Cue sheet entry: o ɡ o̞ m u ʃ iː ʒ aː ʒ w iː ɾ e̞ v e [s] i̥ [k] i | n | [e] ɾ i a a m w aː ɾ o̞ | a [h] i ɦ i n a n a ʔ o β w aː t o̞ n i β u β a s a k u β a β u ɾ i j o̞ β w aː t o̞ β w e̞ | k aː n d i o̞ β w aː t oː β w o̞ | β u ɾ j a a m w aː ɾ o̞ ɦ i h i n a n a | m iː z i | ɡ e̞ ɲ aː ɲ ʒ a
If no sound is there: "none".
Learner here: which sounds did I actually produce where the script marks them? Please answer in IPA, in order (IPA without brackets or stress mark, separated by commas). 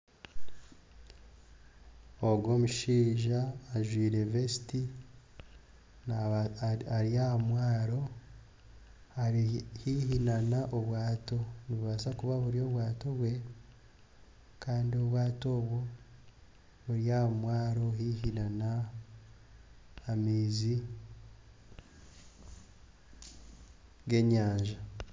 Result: s, t, a, h